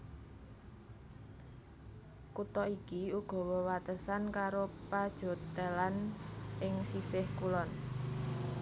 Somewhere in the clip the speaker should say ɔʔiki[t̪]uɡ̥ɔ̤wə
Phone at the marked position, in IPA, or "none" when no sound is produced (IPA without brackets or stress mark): none